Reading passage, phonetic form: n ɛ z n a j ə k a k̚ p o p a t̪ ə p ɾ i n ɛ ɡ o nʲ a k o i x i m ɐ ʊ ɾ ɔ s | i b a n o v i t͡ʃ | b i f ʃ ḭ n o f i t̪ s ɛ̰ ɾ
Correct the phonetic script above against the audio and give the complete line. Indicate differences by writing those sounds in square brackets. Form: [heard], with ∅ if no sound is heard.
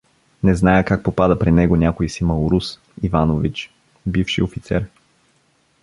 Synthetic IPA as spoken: n ɛ z n a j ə k a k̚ p o p a [d̪] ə p ɾ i n ɛ ɡ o nʲ a k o i [s] i m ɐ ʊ ɾ [u] s | i [v] a n o v i t͡ʃ | b i f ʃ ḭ [∅] o f i t̪ s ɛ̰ ɾ